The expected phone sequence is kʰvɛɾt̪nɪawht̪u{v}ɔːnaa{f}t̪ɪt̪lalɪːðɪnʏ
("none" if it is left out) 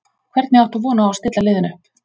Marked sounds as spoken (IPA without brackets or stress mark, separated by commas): v, s